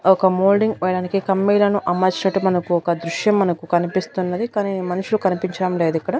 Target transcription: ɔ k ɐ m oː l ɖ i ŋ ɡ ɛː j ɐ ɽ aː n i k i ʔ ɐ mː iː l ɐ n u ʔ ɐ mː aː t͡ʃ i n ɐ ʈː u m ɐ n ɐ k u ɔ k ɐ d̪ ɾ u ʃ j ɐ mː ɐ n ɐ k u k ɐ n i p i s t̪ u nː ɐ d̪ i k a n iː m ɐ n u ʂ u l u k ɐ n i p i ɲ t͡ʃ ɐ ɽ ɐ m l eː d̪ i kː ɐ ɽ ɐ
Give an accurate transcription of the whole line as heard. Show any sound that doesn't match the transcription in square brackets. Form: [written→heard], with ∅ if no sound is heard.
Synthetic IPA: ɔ k ɐ m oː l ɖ i ŋ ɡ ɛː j ɐ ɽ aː n i k i [ʔ→k] ɐ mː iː l ɐ n u ʔ ɐ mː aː t͡ʃ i n ɐ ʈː u m ɐ n ɐ k u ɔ k ɐ d̪ ɾ u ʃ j ɐ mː ɐ n ɐ k u k ɐ n i p i s t̪ u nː ɐ d̪ i k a n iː m ɐ n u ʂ u l u k ɐ n i p i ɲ t͡ʃ ɐ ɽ ɐ m l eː d̪ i kː ɐ ɽ ɐ